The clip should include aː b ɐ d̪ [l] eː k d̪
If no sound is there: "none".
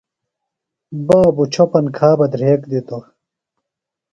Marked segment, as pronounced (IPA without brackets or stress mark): ɾ